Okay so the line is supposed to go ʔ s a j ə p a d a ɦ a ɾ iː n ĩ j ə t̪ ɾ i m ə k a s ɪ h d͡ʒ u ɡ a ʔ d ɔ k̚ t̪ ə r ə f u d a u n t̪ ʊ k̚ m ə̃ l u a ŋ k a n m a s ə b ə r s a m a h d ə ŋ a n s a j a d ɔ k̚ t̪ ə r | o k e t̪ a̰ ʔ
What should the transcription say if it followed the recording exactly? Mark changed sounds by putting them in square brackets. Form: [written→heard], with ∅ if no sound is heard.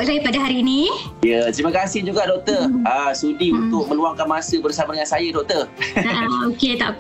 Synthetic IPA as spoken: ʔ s a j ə p a d a ɦ a ɾ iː n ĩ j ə t̪ ɾ i m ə k a s ɪ h d͡ʒ u ɡ a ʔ d ɔ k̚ t̪ ə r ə [f→s] u d [a→i] u n t̪ ʊ k̚ m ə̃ l u a ŋ k a n m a s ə b ə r s a m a [h→∅] d ə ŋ a n s a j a d ɔ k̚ t̪ ə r | o k e t̪ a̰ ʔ